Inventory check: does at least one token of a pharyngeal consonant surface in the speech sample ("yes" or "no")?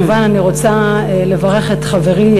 no